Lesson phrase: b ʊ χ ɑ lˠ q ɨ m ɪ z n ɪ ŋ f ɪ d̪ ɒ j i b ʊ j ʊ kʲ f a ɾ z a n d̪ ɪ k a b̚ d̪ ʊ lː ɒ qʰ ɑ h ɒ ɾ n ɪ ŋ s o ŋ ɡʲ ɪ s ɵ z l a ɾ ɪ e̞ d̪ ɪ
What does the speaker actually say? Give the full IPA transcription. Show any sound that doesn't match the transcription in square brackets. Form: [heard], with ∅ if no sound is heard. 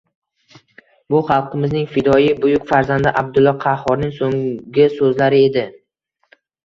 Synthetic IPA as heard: b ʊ χ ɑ lˠ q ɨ m ɪ z n ɪ ŋ f ɪ d̪ ɒ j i b ʊ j ʊ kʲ f a ɾ z a n d̪ ɪ [ʔ] a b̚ d̪ ʊ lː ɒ qʰ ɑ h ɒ ɾ n ɪ ŋ s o ŋ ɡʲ ɪ s ɵ z l a ɾ ɪ e̞ d̪ ɪ